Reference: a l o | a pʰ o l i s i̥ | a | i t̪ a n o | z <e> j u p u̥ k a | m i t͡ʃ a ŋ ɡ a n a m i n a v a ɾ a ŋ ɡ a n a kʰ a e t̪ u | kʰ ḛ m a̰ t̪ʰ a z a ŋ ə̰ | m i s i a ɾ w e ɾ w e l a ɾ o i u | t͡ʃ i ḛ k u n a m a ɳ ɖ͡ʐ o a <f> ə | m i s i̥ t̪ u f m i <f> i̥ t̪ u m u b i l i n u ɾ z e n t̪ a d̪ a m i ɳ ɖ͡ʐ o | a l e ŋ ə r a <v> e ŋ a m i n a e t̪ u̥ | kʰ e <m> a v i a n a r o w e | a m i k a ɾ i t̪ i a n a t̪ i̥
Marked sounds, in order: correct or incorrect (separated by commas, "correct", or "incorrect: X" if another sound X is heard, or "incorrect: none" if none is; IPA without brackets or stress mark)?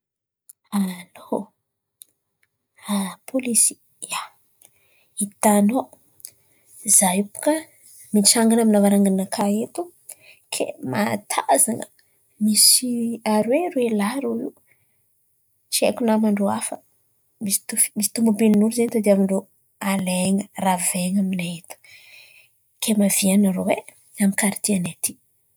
incorrect: a, correct, incorrect: s, correct, correct